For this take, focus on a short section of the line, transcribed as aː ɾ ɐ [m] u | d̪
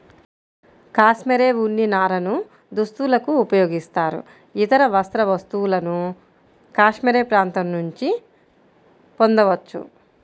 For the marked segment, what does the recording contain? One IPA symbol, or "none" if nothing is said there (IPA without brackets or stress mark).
n